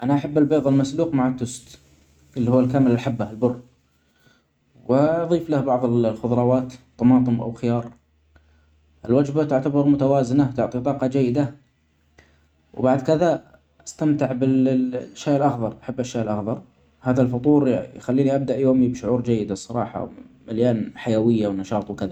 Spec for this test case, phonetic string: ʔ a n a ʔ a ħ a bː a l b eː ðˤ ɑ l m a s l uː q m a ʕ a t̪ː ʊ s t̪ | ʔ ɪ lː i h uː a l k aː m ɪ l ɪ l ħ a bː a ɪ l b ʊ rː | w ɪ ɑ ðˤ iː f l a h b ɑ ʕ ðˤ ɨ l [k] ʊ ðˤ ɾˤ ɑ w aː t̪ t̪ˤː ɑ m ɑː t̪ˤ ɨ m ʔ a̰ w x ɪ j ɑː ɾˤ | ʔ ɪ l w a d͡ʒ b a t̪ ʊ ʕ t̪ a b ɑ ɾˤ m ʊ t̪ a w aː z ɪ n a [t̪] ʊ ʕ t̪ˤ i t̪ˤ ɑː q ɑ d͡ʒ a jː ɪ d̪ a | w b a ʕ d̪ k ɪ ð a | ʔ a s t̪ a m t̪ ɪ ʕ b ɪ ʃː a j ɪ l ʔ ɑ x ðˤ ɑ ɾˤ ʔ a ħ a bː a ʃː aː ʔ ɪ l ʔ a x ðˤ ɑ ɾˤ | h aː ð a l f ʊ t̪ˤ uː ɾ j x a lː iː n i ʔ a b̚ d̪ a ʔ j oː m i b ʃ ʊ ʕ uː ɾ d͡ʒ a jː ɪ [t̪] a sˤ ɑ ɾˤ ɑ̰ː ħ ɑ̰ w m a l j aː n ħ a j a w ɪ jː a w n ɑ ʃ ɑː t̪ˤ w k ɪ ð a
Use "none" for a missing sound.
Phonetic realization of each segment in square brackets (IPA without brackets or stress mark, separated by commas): x, t̪, d̪